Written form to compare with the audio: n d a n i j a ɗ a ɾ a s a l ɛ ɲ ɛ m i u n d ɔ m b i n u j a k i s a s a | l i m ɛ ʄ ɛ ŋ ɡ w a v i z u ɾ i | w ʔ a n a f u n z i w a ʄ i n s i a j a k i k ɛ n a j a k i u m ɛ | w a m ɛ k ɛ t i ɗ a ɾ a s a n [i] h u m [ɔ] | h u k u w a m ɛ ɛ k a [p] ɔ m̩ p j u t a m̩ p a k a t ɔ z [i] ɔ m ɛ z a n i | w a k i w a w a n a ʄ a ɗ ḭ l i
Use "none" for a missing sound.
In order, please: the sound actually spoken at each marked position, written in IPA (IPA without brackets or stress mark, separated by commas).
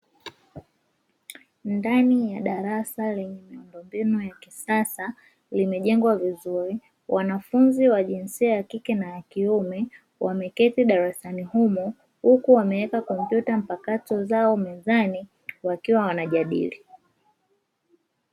i, ɔ, k, a